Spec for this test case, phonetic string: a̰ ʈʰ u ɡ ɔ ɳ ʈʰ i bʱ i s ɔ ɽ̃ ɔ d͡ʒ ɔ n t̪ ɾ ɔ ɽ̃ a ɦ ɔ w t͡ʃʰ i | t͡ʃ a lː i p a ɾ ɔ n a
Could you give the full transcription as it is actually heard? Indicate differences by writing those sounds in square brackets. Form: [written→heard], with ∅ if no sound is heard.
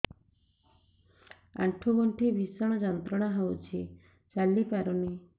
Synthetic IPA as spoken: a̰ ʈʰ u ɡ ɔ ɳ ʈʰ i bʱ i s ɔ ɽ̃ ɔ d͡ʒ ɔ n t̪ ɾ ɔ ɽ̃ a ɦ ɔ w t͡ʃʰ i | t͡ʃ a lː i p a ɾ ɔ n [a→i]